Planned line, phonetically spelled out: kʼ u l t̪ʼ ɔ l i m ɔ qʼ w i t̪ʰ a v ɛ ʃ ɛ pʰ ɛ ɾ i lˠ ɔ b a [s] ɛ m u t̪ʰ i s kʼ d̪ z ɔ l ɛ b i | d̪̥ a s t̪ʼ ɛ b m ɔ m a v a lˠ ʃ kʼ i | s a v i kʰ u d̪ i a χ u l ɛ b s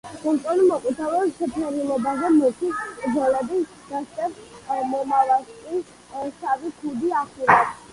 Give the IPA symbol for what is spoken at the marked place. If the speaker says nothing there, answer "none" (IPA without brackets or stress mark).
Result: z